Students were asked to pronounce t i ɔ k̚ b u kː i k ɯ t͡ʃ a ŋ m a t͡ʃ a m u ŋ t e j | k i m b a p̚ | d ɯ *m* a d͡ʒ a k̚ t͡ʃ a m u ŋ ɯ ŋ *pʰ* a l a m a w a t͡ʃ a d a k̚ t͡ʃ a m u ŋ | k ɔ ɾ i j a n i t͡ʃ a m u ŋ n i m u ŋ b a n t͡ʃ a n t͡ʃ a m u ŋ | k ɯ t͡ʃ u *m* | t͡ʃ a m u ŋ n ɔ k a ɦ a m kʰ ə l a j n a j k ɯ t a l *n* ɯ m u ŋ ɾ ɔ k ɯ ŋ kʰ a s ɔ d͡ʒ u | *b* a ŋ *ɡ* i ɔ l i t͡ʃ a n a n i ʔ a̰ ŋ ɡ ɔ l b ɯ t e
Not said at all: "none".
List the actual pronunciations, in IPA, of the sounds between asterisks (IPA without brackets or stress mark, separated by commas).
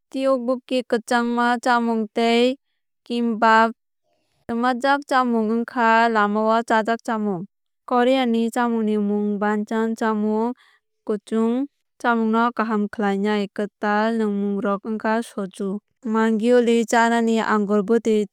m, kʰ, ŋ, n, m, ɡ